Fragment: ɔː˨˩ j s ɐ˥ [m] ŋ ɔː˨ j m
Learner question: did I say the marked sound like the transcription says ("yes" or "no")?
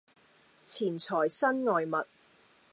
no